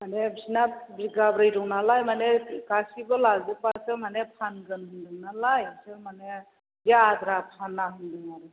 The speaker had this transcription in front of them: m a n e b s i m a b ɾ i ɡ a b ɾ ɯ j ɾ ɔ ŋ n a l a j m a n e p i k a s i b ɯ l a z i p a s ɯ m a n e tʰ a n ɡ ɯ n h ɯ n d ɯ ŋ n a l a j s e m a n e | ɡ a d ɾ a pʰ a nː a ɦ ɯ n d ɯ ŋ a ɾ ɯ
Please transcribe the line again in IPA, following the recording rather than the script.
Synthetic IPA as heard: m a n e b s i n a b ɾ i ɡ a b ɾ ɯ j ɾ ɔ ŋ n a l a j m a n e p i k a s i b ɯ l a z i p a s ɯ m a n e pʰ a n ɡ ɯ n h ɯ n d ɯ ŋ n a l a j s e m a n e | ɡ a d ɾ a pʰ a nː a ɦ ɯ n d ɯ ŋ a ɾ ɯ